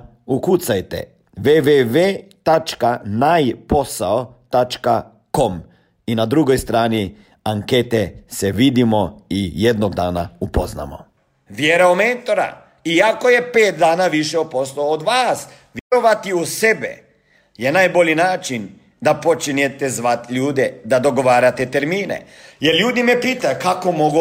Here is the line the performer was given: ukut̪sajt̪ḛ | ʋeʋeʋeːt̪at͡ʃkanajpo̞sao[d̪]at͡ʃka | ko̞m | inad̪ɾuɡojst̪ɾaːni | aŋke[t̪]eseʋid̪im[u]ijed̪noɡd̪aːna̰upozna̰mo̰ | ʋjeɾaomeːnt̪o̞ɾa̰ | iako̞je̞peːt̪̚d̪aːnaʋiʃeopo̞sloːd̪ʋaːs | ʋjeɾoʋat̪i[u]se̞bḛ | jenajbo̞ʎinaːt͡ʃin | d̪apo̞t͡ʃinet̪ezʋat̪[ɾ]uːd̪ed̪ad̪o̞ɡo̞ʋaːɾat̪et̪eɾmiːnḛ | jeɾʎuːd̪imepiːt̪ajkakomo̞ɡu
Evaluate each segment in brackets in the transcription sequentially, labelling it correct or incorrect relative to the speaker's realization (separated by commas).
incorrect, correct, incorrect, correct, incorrect